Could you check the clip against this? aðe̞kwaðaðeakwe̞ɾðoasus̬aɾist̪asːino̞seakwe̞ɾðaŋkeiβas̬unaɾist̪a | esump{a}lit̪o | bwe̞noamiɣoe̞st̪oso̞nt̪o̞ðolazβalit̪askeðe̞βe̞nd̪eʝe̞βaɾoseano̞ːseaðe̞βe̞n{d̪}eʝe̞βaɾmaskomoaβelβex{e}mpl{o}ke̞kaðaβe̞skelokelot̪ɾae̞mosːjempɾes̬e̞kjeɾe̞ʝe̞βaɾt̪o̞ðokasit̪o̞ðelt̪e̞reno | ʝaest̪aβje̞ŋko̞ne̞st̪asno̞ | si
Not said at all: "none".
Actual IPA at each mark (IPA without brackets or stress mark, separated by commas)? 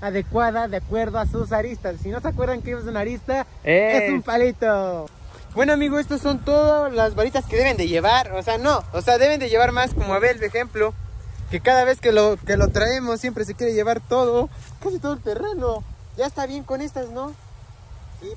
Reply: a, d̪, e, o